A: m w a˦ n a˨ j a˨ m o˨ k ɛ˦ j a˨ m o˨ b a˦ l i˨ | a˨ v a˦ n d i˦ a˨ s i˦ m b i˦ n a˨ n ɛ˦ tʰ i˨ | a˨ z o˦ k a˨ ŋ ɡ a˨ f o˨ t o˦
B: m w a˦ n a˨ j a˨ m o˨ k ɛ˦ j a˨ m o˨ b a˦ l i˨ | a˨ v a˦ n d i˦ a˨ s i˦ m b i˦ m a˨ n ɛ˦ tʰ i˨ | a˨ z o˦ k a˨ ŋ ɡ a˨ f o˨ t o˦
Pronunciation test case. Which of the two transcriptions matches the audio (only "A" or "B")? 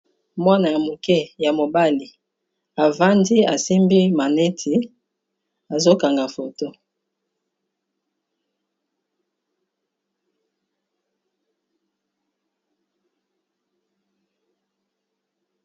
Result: B